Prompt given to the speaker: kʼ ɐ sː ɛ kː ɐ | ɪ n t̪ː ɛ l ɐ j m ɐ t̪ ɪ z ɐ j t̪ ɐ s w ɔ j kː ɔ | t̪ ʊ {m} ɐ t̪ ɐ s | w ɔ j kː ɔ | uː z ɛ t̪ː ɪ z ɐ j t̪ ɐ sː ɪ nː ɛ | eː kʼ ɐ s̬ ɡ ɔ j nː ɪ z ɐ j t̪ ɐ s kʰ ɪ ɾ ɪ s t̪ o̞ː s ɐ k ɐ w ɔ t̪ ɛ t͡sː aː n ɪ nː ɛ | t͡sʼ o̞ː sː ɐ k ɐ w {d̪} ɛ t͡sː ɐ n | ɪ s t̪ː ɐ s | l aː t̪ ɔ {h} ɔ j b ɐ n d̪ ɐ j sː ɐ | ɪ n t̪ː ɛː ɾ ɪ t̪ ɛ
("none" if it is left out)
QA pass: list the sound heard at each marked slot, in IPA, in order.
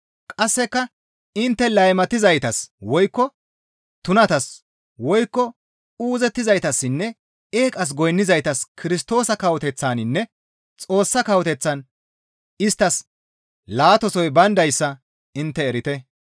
n, t̪, s

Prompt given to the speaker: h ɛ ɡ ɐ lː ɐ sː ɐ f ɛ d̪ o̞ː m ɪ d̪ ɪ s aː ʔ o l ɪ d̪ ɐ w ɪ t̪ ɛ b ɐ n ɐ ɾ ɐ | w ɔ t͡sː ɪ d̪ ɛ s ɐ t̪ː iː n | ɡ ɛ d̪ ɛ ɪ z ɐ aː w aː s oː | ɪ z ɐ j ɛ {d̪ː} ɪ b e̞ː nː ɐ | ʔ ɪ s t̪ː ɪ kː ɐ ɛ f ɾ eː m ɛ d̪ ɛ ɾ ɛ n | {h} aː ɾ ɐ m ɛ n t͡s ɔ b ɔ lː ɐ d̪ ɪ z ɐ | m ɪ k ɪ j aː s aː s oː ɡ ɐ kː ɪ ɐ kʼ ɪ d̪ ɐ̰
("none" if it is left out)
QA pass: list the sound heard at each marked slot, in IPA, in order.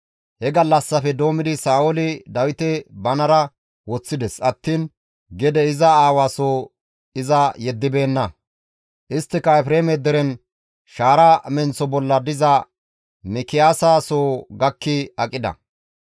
d̪ː, ʃ

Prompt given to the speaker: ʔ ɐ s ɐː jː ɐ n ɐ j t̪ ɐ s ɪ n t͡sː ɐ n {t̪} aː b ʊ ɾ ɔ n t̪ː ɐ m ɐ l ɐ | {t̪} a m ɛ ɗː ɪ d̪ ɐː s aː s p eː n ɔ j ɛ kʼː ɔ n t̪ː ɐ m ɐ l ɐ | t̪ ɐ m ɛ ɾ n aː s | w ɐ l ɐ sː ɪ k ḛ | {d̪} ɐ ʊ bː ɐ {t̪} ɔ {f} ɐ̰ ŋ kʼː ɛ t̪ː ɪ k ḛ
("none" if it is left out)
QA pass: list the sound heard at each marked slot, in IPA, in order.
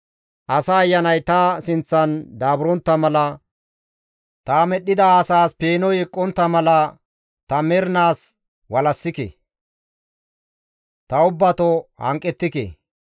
d̪, t̪, t̪, t̪, h

